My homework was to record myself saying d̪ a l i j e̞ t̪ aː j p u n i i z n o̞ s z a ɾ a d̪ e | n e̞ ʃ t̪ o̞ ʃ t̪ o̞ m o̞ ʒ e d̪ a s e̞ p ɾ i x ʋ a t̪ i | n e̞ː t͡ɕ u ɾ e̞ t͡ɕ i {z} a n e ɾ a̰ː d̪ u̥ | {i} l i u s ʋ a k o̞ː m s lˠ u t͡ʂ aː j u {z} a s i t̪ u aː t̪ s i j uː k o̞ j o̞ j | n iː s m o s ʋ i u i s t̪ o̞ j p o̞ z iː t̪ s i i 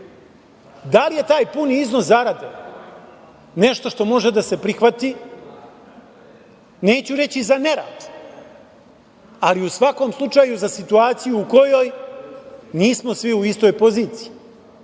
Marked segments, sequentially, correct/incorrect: correct, incorrect, correct

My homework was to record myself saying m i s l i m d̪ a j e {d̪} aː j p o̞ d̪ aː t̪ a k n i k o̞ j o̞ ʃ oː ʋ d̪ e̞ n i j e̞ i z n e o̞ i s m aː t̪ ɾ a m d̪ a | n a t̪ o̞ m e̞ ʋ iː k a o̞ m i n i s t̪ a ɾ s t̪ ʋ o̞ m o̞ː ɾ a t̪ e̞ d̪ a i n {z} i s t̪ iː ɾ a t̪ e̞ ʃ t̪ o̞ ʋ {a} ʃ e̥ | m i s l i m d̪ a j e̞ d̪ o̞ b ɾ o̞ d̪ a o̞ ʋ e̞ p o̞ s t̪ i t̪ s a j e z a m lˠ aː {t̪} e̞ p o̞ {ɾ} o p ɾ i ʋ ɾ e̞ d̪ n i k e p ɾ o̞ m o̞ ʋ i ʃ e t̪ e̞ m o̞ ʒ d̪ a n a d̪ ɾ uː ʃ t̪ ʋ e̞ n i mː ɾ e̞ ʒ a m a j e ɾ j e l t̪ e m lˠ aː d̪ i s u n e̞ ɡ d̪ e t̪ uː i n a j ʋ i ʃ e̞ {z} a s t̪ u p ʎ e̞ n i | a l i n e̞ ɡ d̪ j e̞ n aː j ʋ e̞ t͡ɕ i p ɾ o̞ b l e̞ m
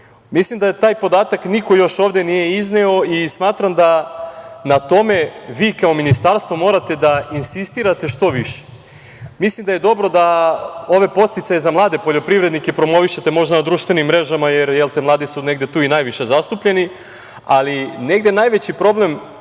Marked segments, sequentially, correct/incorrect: incorrect, incorrect, incorrect, incorrect, incorrect, correct

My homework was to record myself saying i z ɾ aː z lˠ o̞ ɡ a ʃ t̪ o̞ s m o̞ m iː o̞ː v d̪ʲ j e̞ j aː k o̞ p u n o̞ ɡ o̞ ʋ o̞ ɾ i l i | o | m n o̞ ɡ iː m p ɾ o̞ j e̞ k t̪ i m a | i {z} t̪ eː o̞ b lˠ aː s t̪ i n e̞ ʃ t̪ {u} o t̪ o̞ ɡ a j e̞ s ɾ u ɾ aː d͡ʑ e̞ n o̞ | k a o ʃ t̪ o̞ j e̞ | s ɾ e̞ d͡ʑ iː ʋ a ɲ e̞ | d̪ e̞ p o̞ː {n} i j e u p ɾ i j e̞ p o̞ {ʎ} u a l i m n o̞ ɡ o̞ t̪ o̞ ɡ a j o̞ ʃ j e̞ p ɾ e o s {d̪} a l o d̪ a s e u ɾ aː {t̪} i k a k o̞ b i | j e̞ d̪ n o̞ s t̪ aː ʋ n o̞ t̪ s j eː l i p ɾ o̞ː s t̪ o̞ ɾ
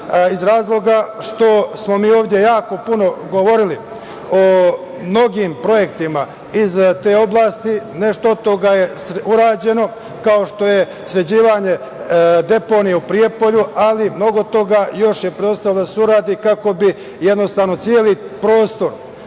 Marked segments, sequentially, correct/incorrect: correct, incorrect, correct, correct, incorrect, incorrect

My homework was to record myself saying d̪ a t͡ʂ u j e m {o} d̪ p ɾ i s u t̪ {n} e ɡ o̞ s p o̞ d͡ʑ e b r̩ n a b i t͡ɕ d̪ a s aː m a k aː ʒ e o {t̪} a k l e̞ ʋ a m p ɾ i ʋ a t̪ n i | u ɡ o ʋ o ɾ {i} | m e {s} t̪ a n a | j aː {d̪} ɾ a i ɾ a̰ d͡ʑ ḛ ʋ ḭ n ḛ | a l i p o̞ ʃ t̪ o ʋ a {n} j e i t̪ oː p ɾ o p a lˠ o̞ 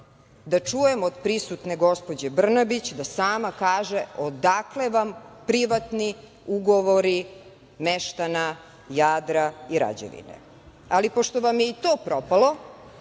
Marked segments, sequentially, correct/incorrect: correct, correct, incorrect, correct, incorrect, correct, incorrect

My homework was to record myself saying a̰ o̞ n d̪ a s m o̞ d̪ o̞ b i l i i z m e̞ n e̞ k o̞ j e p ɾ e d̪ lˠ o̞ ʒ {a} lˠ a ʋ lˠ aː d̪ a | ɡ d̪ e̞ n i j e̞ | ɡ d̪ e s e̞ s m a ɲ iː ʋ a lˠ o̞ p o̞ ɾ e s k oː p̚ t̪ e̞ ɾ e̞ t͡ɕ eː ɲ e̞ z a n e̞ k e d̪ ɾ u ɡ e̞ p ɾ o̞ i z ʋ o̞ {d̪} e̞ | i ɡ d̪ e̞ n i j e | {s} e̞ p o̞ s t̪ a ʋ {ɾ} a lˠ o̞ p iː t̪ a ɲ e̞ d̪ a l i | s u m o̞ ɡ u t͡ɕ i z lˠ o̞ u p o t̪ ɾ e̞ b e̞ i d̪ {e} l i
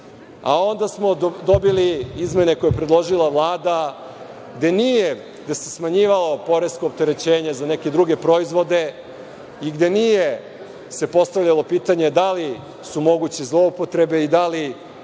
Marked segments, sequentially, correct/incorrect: incorrect, correct, correct, incorrect, incorrect

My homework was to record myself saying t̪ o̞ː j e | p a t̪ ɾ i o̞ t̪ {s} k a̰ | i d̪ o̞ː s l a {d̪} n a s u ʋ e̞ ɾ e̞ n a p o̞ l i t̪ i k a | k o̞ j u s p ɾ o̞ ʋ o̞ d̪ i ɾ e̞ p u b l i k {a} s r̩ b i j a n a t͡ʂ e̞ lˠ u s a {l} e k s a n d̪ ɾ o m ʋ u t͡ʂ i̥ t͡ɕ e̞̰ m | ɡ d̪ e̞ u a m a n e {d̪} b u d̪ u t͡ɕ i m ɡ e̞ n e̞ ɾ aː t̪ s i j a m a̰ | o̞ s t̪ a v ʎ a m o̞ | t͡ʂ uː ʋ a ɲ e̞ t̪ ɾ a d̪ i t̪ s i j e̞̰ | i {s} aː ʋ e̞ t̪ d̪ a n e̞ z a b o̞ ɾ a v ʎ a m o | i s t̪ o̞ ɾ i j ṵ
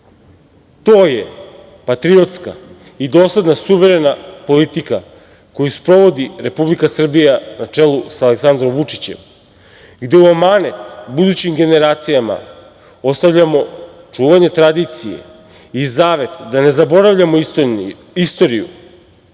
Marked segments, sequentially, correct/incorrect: correct, correct, correct, correct, incorrect, incorrect

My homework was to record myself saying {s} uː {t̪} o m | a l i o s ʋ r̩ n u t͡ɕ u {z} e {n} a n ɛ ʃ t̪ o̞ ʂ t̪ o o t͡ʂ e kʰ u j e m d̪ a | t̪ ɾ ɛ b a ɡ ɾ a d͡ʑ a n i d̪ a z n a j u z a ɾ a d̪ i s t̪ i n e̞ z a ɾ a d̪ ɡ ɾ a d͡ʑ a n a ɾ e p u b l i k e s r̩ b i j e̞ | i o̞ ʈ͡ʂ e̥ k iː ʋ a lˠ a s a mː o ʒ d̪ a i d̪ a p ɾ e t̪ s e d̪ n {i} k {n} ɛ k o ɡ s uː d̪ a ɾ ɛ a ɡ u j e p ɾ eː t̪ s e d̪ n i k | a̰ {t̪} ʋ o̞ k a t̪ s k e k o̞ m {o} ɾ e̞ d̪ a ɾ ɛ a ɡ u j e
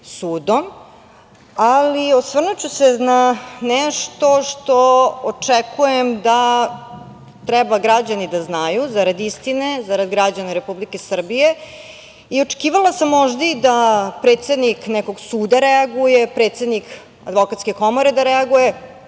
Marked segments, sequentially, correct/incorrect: correct, incorrect, incorrect, correct, correct, correct, incorrect, correct

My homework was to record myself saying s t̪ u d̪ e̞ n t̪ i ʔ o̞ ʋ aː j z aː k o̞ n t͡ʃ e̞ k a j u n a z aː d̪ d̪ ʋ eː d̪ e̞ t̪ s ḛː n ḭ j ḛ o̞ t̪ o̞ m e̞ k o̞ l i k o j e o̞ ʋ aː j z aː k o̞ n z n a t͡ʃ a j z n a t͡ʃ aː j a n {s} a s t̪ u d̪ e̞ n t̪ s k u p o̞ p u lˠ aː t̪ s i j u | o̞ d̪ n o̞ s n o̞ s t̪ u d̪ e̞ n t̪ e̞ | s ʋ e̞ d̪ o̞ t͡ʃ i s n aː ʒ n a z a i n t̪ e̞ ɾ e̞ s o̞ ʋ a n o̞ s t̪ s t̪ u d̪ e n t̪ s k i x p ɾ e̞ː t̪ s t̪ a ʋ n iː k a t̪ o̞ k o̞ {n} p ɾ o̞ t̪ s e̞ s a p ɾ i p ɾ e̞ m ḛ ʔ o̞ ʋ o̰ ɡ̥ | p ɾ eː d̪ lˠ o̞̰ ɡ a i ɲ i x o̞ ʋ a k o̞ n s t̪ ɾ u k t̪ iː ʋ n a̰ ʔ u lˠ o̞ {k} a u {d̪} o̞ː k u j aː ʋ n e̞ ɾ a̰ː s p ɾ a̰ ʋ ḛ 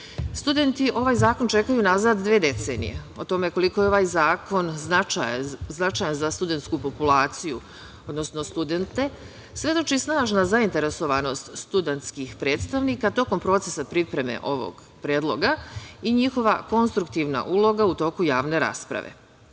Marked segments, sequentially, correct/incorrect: incorrect, incorrect, incorrect, incorrect

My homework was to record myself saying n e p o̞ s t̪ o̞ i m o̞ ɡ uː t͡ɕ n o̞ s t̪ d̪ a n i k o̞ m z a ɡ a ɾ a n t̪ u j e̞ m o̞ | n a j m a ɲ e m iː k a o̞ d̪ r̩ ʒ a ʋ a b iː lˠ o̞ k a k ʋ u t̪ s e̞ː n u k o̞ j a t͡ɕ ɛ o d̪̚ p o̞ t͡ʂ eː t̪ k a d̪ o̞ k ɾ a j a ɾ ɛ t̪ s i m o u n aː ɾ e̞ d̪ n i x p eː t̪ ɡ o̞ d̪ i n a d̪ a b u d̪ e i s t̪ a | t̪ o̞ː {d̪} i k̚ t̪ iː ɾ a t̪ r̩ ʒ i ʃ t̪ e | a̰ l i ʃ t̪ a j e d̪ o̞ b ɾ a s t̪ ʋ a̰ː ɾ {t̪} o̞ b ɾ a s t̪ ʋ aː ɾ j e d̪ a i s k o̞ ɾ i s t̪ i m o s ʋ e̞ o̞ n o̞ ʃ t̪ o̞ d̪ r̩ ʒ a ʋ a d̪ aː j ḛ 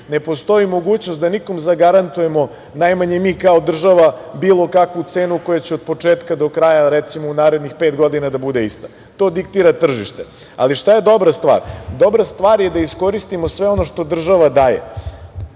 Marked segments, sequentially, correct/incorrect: correct, incorrect

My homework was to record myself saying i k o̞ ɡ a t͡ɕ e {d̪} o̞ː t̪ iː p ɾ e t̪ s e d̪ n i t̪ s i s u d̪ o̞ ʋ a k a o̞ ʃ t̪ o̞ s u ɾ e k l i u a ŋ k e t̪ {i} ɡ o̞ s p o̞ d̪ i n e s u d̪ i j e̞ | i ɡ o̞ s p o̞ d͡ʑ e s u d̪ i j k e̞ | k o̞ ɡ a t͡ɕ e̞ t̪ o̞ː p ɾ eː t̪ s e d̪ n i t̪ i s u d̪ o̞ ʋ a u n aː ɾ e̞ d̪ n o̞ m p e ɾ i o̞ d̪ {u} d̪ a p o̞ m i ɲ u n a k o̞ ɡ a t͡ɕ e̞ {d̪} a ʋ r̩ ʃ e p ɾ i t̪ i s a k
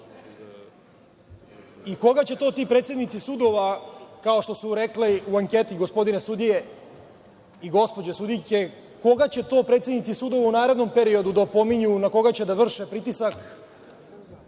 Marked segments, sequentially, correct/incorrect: incorrect, correct, correct, correct

